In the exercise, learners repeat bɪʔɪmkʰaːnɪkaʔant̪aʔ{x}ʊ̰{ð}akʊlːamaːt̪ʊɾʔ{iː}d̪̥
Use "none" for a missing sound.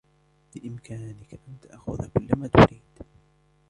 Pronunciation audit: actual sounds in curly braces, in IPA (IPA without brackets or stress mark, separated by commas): x, ð, iː